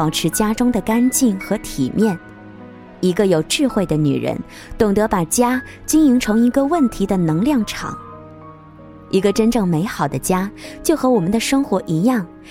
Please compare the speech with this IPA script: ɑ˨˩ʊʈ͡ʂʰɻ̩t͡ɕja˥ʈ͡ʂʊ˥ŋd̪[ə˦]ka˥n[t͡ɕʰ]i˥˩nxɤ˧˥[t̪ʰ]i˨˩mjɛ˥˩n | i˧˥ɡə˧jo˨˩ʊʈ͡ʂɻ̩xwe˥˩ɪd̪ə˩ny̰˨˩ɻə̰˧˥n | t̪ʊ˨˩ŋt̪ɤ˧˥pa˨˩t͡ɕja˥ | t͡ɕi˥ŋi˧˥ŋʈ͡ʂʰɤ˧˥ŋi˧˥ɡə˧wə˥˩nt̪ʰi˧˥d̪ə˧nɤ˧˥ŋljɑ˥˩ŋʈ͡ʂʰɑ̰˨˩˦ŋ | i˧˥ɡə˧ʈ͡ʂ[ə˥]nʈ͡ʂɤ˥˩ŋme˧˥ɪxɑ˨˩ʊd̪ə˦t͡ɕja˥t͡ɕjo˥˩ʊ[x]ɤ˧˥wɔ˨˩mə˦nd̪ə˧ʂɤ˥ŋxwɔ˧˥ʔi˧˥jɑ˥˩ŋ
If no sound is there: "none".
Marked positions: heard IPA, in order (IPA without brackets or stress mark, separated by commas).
ə˨, t͡ɕ, t̪ʰ, ə˥, x